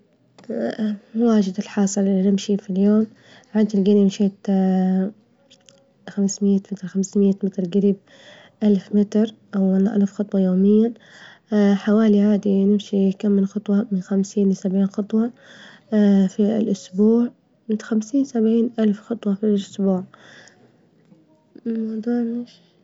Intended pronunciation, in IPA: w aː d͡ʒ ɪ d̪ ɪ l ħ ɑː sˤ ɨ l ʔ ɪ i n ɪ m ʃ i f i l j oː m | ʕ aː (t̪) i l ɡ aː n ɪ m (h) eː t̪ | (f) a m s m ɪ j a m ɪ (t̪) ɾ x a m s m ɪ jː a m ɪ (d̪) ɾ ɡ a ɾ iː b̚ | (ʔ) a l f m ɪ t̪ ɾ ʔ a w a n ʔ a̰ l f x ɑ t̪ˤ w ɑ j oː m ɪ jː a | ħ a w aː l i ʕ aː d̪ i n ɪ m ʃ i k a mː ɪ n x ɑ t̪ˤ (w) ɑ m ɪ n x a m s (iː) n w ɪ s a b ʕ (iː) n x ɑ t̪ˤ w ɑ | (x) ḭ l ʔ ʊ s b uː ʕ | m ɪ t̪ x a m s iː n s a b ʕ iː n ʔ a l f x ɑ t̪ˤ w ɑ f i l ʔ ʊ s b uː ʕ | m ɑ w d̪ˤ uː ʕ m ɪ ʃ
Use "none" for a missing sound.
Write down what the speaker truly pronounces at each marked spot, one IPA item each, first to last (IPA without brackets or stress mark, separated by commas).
d̪, ʃ, x, t̪, t̪, ʔ, w, iː, iː, f